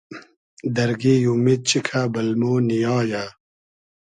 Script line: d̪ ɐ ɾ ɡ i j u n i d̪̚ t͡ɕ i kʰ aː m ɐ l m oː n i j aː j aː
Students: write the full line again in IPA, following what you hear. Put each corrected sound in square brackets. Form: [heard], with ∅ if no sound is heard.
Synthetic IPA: d̪ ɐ ɾ ɡ i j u [m] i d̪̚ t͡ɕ i kʰ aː [b] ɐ l m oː n i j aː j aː